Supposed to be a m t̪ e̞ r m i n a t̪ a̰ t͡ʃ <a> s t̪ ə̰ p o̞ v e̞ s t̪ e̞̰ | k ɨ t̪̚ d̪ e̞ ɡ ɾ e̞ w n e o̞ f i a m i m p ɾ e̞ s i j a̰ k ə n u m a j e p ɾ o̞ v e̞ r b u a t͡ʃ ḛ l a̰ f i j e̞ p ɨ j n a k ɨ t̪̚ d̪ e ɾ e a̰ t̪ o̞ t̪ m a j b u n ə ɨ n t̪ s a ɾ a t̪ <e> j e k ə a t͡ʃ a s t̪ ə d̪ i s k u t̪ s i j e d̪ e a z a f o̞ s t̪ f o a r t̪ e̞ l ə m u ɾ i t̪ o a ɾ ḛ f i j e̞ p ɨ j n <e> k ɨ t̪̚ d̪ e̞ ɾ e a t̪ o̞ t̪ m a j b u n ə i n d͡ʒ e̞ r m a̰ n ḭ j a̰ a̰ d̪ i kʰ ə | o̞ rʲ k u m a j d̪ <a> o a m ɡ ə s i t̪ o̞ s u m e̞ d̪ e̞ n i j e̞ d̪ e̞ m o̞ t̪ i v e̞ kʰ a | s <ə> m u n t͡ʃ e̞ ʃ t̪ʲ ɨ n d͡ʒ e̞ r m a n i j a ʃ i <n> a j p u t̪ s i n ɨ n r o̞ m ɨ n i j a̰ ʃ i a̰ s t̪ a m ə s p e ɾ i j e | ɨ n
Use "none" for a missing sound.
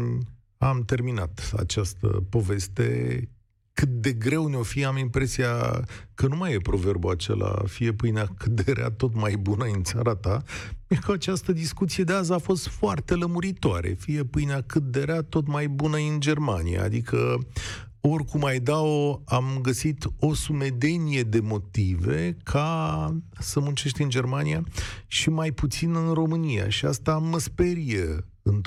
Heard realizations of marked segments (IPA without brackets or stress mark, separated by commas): a, a, a, a, ə, m